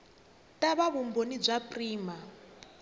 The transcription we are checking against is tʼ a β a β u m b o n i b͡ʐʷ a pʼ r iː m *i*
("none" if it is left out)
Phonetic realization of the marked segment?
a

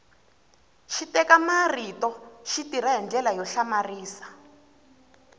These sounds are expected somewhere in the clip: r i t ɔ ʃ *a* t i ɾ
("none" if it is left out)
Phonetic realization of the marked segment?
i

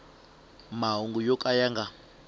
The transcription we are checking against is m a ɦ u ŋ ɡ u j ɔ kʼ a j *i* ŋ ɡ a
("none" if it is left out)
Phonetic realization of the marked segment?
a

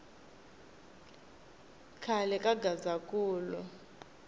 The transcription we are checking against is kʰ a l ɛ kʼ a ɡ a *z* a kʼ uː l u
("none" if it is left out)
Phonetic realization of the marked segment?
z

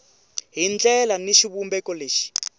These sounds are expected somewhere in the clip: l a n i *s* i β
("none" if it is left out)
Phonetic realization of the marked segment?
ʃ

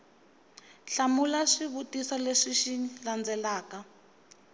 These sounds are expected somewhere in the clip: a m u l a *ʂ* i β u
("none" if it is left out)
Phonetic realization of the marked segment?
ʂ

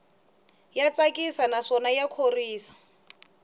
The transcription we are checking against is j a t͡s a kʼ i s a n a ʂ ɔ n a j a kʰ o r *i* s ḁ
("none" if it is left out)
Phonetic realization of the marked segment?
iː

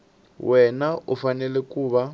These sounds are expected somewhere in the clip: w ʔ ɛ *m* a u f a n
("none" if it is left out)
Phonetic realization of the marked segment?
n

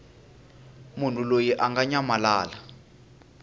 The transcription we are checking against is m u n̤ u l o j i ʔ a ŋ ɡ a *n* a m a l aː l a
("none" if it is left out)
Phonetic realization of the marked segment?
ɲ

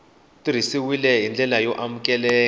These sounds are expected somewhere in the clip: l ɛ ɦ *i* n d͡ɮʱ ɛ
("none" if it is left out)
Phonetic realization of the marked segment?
i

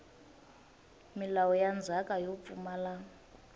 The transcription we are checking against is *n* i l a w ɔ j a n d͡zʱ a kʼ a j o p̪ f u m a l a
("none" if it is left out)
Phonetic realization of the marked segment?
m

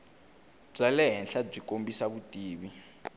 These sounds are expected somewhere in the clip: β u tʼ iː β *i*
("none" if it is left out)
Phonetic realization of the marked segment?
i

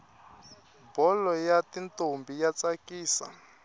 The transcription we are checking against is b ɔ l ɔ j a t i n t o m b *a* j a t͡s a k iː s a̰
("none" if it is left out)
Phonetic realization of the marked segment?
i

